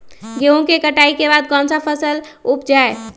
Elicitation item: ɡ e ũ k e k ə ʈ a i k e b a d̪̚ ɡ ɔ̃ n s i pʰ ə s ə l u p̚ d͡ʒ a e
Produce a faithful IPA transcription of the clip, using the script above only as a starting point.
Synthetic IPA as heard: ɡ e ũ k e k ə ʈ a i k e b a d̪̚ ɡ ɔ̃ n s a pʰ ə s ə l u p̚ d͡ʒ a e

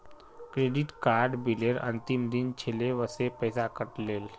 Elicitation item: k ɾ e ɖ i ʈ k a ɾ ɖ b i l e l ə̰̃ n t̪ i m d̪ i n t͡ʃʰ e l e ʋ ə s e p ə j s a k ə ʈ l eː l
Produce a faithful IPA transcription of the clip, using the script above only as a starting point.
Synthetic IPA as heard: k ɾ e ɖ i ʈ k a ɾ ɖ b i l e ɾ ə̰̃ n t̪ i m d̪ i n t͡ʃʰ e l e ʋ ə s e p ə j s a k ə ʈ l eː l

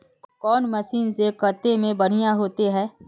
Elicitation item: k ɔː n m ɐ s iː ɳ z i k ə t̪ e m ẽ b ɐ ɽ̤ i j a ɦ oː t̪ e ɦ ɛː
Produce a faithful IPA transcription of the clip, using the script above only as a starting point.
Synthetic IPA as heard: k ɔː n m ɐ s iː n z e k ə t̪ e m ẽ b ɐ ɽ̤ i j a ɦ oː t̪ e ɦ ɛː

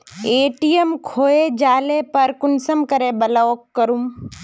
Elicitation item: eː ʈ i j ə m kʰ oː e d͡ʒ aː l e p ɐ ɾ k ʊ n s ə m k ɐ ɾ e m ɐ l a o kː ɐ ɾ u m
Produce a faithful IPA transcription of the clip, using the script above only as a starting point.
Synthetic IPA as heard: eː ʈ i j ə m kʰ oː e d͡ʒ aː l e p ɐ ɾ k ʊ n s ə m k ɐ ɾ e b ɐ l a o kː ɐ ɾ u m

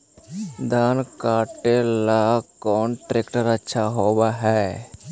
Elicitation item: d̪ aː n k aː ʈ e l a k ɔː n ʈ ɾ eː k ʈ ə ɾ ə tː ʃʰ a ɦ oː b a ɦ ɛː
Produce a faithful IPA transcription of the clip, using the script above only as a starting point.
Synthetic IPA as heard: d̪ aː n k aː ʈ e l a k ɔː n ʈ ɾ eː k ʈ ə ɾ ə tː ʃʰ a ɦ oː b a ɦ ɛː

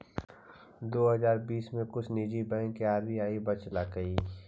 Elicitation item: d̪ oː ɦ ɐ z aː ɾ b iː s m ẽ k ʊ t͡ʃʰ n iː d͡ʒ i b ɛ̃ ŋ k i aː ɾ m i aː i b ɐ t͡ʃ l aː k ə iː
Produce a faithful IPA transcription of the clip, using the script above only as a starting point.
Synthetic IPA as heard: d̪ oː ɦ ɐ z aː ɾ b iː s m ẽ k ʊ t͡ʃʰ n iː d͡ʒ i b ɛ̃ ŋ k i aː ɾ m i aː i b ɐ t͡ʃ l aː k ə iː

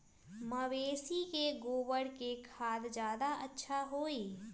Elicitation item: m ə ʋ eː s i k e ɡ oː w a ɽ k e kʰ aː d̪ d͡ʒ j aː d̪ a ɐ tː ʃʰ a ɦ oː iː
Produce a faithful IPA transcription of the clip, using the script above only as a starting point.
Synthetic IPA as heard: m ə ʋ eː s i k e ɡ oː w ə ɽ k e kʰ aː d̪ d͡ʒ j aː d̪ a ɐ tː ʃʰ a ɦ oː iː

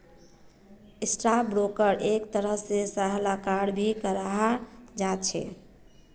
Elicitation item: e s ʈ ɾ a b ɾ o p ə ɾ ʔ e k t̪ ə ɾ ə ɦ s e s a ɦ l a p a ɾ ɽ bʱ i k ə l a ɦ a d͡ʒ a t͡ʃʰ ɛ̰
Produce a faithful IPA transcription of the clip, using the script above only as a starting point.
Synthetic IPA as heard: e s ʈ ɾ a b ɾ o k ə ɾ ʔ e k t̪ ə ɾ ə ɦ s e s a ɦ l a k a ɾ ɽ bʱ i k ə ɾ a ɦ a d͡ʒ a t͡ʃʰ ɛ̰

